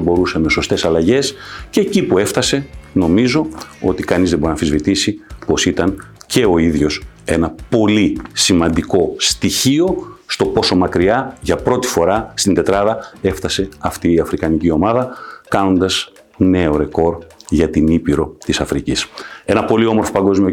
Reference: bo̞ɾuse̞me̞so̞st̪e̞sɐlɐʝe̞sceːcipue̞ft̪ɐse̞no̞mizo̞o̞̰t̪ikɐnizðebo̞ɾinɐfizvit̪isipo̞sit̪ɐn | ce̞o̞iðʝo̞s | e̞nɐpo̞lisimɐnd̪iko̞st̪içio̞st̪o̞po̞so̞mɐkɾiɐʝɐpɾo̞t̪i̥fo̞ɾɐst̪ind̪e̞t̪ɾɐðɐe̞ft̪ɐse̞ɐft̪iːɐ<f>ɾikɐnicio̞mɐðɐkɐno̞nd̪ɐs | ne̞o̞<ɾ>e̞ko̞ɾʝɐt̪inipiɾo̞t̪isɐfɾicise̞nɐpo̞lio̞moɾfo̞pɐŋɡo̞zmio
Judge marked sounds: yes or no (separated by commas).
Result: yes, yes